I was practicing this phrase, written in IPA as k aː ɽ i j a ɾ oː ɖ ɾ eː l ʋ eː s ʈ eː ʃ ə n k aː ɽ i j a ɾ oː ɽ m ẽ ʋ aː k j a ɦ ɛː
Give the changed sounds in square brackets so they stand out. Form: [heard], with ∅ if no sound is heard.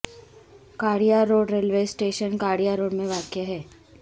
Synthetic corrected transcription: k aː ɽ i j a ɾ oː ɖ ɾ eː l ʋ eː s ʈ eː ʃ ə n k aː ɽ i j a ɾ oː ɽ m ẽ ʋ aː k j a ɦ ɛː